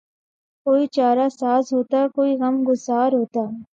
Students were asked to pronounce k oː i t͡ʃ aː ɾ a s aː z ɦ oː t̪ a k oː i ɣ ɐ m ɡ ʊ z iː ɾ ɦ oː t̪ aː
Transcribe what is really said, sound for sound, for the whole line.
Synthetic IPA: k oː i t͡ʃ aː ɾ a s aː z ɦ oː t̪ a k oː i ɣ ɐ m ɡ ʊ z aː ɾ ɦ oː t̪ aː